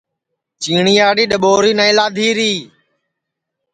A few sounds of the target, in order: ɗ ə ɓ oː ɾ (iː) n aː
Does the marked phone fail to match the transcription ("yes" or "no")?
no